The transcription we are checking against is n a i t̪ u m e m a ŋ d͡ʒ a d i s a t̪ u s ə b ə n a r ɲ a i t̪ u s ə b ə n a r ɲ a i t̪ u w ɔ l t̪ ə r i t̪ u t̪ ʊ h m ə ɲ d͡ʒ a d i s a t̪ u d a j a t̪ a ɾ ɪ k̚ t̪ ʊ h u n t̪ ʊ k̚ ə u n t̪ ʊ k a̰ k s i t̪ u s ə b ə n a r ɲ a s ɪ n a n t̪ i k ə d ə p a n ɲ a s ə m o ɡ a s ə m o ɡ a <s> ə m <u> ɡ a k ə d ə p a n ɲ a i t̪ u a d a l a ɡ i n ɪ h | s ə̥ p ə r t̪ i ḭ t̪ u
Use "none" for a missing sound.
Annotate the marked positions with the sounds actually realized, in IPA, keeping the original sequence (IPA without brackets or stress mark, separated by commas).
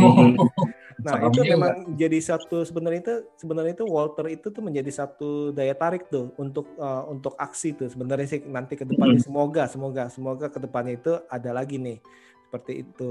s, o